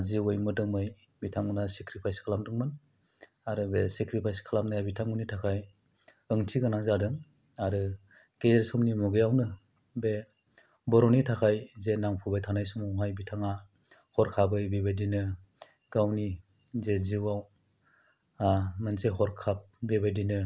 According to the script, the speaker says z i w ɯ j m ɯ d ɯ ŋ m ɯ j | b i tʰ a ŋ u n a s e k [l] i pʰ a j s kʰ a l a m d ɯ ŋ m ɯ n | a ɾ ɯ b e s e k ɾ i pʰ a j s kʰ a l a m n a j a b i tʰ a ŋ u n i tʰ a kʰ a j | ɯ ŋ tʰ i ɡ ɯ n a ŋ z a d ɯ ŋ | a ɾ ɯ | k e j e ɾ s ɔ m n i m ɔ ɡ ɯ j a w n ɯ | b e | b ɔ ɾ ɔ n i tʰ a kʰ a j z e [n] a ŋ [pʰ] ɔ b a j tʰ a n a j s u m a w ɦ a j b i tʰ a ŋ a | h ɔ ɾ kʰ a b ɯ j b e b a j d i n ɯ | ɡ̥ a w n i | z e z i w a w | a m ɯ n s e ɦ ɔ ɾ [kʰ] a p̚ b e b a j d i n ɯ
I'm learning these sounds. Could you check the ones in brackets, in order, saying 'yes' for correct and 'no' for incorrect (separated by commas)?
no, yes, yes, yes